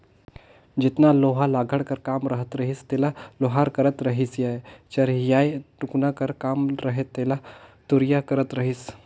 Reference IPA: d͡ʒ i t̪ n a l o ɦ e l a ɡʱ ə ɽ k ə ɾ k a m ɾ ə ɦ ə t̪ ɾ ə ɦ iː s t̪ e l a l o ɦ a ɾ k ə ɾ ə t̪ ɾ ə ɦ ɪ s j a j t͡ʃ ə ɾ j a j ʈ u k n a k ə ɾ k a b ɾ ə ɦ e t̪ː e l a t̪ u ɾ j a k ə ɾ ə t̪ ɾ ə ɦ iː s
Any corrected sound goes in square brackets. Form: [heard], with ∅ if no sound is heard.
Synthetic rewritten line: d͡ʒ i t̪ n a l o ɦ [a] l a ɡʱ ə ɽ k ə ɾ k a m ɾ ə ɦ ə t̪ ɾ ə ɦ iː s t̪ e l a l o ɦ a ɾ k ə ɾ ə t̪ ɾ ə ɦ [i] s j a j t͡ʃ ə ɾ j a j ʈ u k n a k ə ɾ k a [m] ɾ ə ɦ e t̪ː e l a t̪ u ɾ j a k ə ɾ ə t̪ ɾ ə ɦ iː s

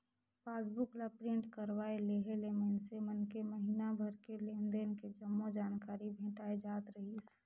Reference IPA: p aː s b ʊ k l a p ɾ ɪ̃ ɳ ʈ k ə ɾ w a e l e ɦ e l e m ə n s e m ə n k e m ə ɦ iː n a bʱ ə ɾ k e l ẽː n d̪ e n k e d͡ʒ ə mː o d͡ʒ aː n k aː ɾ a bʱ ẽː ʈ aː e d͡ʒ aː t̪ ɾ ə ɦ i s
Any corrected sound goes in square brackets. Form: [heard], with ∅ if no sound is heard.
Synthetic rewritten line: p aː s b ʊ k l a p ɾ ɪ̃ ɳ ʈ k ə ɾ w a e l e ɦ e l e m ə n s e m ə n k e m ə ɦ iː n a bʱ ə ɾ k e l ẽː n d̪ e n k e d͡ʒ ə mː o d͡ʒ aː n k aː ɾ [i] bʱ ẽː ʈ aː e d͡ʒ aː t̪ ɾ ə ɦ i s

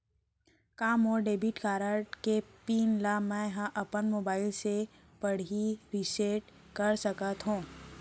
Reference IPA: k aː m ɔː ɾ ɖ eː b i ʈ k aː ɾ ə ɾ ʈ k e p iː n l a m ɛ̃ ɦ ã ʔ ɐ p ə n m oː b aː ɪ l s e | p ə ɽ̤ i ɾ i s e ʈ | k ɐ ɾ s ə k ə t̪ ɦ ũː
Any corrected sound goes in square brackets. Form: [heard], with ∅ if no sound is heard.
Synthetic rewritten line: k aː m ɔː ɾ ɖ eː b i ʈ k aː ɾ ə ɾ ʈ k e p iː n l a m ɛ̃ ɦ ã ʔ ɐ p ə n m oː b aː ɪ l s e | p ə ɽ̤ i ɾ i s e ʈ | k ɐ ɾ s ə k ə t̪ ɦ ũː

